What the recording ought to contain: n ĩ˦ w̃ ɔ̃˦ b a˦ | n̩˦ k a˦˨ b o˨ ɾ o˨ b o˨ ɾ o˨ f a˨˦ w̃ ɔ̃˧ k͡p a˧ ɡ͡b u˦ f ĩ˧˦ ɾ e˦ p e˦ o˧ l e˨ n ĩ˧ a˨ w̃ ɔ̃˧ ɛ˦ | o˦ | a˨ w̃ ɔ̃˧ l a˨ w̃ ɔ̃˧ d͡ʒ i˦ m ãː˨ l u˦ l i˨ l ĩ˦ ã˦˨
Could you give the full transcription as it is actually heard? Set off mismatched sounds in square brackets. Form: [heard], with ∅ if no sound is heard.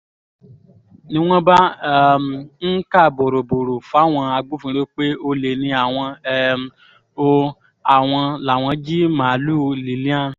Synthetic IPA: n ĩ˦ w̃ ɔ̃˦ b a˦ | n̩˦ k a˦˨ b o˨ ɾ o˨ b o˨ ɾ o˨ f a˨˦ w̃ ɔ̃˧ [∅] a˧ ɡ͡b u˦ f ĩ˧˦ ɾ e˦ [k͡p] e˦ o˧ l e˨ n ĩ˧ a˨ w̃ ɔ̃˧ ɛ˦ | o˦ | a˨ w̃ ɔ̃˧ l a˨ w̃ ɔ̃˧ d͡ʒ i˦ m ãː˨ l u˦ l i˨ l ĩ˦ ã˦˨